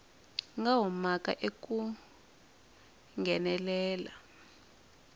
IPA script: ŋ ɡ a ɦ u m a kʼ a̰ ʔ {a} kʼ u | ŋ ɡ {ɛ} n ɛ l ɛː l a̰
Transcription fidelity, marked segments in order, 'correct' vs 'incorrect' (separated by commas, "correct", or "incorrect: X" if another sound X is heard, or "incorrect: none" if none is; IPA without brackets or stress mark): incorrect: e, correct